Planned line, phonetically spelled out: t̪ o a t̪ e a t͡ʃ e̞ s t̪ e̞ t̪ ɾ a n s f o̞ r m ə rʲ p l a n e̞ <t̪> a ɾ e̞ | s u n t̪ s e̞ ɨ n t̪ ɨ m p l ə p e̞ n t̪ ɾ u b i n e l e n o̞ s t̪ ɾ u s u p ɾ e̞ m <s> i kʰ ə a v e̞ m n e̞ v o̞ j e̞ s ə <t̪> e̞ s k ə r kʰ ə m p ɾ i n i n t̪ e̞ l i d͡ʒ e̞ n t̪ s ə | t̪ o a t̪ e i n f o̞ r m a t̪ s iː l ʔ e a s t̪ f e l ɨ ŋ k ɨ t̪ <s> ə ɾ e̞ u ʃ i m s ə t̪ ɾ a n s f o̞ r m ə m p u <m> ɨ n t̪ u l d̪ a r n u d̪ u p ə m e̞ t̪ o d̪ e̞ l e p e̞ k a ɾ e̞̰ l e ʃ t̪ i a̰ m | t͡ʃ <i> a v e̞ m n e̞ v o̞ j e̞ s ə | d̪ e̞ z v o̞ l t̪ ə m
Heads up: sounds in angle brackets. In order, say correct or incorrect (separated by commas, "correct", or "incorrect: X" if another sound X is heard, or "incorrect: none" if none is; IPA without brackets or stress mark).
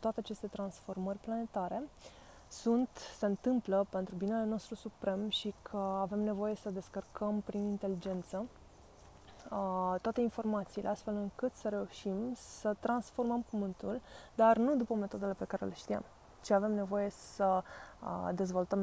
correct, incorrect: ʃ, incorrect: d̪, correct, correct, correct